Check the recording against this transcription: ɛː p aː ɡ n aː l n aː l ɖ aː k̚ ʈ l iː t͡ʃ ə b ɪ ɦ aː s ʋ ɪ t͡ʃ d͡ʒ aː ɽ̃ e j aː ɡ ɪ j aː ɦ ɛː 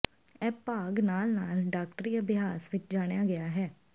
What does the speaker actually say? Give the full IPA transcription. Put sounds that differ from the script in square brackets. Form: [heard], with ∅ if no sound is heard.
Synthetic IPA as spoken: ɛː p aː ɡ n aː l n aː l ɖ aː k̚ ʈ [ɾ] iː [∅] ə b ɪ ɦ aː s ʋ ɪ t͡ʃ d͡ʒ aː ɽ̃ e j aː ɡ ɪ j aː ɦ ɛː